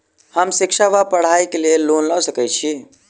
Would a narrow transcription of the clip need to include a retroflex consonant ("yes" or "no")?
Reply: yes